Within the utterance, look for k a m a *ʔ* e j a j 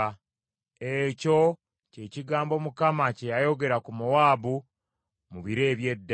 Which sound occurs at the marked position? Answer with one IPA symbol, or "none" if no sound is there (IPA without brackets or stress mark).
c